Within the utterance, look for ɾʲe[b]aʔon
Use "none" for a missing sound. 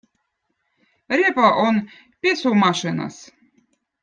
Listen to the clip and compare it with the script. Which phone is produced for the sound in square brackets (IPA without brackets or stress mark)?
p